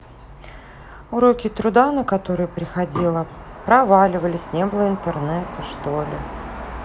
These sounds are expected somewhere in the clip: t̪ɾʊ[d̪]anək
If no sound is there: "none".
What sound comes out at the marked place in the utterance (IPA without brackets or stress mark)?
d̪